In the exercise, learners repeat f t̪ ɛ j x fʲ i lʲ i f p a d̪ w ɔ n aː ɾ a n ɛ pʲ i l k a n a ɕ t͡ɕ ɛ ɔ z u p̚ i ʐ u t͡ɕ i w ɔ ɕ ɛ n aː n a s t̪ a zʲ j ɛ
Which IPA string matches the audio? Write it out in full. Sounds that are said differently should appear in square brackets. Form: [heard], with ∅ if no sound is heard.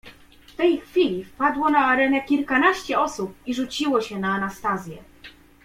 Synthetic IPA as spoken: f t̪ ɛ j x fʲ i lʲ i f p a d̪ w ɔ n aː ɾ [ɛ] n ɛ [kʲ] i l k a n a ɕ t͡ɕ ɛ ɔ [s] u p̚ i ʐ u t͡ɕ i w ɔ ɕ ɛ n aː n a s t̪ a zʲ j ɛ